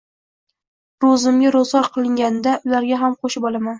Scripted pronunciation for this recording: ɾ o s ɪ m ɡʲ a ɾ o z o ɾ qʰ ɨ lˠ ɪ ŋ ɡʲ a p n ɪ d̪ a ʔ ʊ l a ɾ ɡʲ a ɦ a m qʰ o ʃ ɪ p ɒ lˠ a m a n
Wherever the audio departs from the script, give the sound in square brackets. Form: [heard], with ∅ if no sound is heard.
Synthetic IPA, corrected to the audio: ɾ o [z] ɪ m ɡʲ a ɾ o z [ɒ] ɾ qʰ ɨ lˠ ɪ ŋ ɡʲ a [∅] n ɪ d̪ a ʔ ʊ l a ɾ ɡʲ a ɦ a m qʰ o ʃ ɪ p ɒ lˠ a m a n